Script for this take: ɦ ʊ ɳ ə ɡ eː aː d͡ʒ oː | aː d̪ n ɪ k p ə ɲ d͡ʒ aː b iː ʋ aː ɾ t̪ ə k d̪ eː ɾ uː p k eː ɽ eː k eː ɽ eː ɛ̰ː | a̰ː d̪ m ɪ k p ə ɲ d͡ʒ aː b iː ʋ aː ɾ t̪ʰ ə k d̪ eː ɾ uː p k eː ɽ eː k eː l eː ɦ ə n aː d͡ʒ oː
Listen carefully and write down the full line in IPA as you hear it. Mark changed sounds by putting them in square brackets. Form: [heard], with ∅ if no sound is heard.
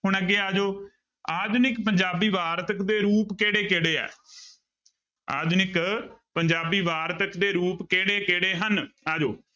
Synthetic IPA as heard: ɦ ʊ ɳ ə ɡ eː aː d͡ʒ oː | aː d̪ n ɪ k p ə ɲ d͡ʒ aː b iː ʋ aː ɾ t̪ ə k d̪ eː ɾ uː p k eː ɽ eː k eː ɽ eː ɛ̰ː | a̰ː d̪ [n] ɪ k p ə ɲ d͡ʒ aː b iː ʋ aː ɾ [t̪] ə k d̪ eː ɾ uː p k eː ɽ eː k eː [ɽ] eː ɦ ə n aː d͡ʒ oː